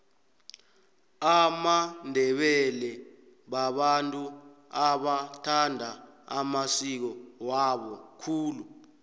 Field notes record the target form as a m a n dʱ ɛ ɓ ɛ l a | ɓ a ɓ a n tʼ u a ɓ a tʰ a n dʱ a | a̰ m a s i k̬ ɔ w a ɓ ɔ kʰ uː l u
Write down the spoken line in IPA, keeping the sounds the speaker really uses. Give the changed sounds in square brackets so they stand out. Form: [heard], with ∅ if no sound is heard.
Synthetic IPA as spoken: a m a n dʱ ɛ ɓ ɛ l [ɛ] | ɓ a ɓ a n tʼ u a ɓ a tʰ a n dʱ a | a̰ m a s i k̬ ɔ w a ɓ ɔ kʰ uː l u